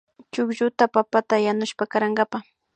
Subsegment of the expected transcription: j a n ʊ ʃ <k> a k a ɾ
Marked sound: incorrect: p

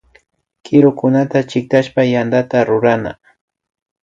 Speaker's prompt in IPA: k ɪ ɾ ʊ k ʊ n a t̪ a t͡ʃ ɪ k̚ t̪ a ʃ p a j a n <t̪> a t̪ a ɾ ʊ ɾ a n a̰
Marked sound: incorrect: d̪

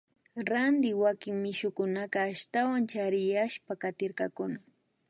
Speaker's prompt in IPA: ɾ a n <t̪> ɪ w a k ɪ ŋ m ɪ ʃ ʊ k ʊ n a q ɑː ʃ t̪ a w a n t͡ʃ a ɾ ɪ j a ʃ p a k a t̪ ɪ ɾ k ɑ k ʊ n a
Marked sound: incorrect: d̪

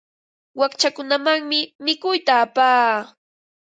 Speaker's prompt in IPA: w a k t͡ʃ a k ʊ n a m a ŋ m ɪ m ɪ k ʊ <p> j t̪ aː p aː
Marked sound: incorrect: none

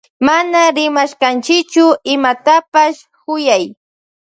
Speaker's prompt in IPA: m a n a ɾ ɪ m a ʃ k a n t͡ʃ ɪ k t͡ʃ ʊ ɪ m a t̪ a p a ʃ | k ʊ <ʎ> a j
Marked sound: incorrect: j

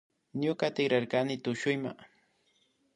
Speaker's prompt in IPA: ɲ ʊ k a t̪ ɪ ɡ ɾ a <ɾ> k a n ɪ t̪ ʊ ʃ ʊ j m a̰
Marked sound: correct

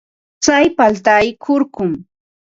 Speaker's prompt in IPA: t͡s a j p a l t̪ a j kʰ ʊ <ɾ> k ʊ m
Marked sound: correct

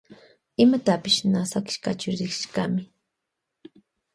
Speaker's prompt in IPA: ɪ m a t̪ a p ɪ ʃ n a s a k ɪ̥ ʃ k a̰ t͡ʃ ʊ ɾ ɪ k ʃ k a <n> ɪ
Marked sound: incorrect: m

